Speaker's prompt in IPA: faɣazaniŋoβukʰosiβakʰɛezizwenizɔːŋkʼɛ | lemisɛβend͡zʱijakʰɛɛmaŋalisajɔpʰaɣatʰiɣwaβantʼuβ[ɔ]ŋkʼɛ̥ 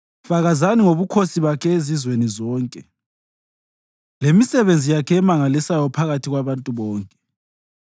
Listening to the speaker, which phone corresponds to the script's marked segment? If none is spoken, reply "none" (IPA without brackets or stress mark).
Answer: ɔː